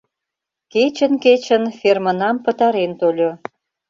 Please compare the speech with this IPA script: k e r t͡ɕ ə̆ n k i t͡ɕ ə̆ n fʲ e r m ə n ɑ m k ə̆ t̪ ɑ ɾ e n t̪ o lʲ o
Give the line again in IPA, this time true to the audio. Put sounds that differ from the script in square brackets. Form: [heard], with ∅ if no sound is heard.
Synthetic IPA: k e [∅] t͡ɕ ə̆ n k [e] t͡ɕ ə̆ n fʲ e r m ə n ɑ m [p] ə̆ t̪ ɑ ɾ e n t̪ o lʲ o